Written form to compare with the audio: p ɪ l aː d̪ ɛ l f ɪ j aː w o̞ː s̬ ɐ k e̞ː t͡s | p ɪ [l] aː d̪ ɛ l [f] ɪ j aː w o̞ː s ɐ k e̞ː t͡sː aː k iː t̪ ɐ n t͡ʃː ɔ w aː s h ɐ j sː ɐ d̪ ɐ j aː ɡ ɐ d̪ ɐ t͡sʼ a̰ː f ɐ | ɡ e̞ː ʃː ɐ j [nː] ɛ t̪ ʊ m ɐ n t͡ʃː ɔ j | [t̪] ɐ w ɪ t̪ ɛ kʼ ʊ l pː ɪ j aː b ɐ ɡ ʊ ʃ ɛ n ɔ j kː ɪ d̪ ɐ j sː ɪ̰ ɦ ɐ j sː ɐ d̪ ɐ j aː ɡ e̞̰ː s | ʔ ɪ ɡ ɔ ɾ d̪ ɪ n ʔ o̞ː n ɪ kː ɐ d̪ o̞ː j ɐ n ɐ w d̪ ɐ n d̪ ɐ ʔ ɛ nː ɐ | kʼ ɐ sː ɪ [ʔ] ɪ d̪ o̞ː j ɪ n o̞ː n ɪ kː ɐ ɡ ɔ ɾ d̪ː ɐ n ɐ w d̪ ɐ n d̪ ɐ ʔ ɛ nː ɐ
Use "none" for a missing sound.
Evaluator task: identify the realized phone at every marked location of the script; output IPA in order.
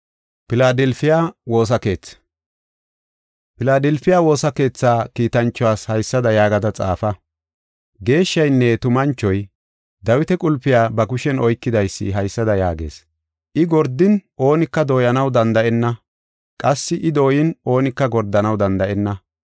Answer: l, f, nː, d̪, ʔ

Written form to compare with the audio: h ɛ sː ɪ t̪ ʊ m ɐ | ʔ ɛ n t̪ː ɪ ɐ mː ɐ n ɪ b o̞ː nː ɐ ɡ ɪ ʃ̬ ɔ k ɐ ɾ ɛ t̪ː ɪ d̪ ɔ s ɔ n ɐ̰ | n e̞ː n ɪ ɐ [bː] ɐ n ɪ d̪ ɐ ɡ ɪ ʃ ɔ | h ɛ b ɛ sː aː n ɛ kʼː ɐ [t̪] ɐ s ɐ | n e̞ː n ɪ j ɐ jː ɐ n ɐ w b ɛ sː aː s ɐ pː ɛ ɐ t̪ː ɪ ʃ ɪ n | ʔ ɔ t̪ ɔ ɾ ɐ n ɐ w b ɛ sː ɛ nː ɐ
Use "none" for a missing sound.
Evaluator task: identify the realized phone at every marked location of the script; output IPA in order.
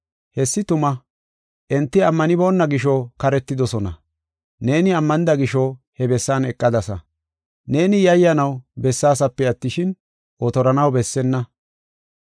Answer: mː, d̪

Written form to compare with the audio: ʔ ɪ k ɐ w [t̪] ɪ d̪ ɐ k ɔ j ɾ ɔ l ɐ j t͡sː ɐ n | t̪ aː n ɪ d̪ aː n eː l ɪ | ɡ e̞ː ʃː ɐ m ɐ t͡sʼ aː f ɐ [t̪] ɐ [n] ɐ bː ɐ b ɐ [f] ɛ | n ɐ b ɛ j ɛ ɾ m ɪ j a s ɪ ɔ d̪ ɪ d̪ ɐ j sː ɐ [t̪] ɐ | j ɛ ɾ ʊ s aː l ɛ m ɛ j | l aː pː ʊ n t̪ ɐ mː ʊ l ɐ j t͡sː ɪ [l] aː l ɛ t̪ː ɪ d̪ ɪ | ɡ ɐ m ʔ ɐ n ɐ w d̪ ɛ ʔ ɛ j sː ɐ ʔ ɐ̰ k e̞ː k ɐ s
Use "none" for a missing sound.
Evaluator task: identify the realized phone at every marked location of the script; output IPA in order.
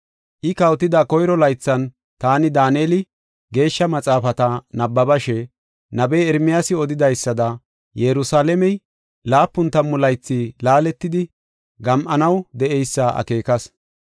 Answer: t̪, t̪, n, ʃ, d̪, l

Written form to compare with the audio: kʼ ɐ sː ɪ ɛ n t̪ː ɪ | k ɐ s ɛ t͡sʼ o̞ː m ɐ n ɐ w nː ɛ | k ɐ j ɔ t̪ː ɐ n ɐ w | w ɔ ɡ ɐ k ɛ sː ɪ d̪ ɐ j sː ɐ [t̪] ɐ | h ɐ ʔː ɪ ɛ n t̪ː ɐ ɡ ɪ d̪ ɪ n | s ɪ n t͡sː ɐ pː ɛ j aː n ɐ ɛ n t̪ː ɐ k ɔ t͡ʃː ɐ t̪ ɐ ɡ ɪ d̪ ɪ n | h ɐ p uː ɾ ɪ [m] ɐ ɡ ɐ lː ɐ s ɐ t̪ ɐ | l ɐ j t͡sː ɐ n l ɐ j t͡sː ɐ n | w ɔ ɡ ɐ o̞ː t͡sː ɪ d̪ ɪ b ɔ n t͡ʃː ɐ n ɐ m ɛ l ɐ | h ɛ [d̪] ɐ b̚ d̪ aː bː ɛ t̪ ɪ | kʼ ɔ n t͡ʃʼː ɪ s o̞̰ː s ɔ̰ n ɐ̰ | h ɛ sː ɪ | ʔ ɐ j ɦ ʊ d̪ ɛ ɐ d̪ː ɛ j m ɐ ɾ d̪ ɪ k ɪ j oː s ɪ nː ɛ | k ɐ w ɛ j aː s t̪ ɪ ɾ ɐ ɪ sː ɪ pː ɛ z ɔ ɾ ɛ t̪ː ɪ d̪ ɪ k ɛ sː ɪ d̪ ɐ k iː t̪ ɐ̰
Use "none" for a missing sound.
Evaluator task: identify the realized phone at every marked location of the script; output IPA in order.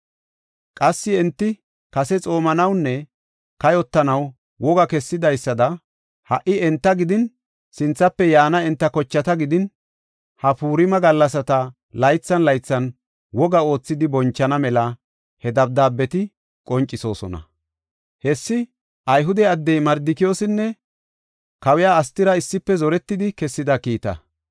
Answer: d̪, m, d̪

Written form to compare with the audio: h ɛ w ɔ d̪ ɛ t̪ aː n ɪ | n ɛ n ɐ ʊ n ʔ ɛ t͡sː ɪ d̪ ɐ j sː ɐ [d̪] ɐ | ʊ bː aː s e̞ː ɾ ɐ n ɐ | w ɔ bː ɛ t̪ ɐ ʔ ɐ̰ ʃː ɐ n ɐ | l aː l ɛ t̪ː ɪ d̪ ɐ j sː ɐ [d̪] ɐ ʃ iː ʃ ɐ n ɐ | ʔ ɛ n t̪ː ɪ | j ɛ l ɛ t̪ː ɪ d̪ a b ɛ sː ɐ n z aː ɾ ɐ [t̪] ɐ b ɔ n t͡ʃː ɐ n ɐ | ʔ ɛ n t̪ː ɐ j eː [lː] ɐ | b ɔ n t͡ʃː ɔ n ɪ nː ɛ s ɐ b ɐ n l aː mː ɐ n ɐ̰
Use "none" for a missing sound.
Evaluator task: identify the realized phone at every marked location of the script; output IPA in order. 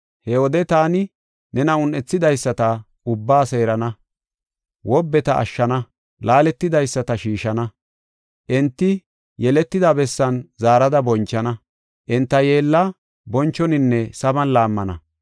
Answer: t̪, t̪, d̪, lː

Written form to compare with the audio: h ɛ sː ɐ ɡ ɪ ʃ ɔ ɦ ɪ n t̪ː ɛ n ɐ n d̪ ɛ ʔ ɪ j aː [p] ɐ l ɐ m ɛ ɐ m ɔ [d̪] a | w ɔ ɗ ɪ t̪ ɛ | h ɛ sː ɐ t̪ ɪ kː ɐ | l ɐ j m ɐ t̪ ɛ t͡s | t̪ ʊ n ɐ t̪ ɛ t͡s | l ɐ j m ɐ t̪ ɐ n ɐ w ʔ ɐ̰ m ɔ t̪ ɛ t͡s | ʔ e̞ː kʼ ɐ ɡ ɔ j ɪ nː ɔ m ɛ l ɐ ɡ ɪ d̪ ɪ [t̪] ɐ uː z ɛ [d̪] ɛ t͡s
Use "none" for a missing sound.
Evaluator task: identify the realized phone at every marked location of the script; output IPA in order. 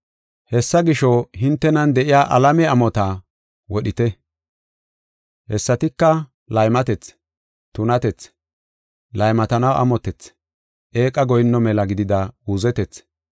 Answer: ʔ, t̪, d̪, t̪

